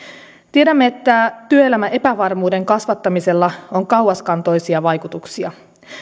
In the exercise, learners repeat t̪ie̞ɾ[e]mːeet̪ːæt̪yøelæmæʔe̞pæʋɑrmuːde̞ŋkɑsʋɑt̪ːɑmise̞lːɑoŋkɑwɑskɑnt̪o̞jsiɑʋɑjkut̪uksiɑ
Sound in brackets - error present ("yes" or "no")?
yes